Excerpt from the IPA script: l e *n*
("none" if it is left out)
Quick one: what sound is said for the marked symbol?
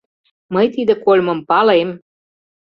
m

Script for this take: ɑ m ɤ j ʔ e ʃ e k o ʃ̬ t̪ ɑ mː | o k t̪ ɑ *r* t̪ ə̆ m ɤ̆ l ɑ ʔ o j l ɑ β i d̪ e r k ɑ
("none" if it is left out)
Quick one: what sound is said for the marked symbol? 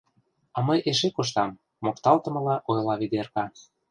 l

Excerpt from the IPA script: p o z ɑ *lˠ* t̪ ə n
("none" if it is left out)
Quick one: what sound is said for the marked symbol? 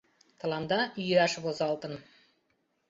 lˠ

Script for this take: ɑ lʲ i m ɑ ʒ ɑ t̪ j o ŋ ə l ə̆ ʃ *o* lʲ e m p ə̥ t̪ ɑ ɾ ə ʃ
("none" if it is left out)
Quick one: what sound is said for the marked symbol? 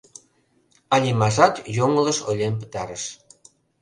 o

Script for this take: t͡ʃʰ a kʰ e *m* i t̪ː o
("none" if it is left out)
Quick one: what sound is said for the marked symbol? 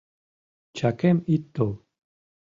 m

